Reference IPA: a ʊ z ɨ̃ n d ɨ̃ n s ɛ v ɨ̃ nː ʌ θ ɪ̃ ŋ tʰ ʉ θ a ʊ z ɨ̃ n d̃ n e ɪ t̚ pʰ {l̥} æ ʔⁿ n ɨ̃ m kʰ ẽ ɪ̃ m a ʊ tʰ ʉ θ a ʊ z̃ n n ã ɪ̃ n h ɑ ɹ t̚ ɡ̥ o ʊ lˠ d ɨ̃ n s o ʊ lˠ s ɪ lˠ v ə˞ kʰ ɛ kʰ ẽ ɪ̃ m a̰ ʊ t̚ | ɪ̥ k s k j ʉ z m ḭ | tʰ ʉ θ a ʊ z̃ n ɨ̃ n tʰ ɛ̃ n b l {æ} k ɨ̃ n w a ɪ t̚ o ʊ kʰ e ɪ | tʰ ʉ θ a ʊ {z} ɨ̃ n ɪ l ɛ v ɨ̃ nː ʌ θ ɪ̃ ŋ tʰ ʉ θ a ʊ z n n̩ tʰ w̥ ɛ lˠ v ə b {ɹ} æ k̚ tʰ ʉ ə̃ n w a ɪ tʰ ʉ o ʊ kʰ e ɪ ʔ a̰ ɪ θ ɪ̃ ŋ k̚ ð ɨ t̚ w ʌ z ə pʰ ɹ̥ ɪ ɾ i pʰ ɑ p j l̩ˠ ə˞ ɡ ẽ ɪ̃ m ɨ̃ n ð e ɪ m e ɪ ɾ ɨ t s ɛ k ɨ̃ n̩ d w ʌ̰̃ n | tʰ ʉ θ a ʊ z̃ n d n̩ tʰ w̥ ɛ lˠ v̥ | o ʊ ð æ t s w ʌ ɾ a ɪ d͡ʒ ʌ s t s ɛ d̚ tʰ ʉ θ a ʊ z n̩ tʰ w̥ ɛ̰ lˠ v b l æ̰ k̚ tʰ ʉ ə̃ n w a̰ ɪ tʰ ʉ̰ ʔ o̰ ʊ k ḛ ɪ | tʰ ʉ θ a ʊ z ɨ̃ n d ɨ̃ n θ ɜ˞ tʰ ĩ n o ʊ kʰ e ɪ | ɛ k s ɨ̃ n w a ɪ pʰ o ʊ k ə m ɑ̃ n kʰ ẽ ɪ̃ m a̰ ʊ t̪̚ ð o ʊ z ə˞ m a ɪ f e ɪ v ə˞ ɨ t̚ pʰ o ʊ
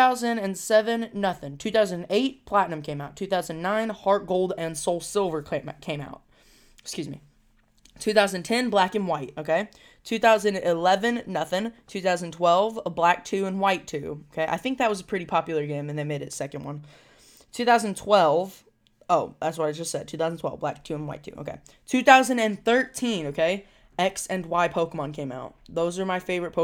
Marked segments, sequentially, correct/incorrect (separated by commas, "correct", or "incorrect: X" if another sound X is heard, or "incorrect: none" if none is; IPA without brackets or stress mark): correct, correct, correct, incorrect: l